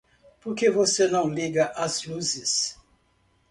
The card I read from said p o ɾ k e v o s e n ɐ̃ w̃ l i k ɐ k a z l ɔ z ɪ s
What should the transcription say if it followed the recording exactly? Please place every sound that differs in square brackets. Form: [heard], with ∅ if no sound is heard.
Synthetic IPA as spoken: p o ɾ k e v o s e n ɐ̃ w̃ l i [ɡ] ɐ [ʔ] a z l [u] z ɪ s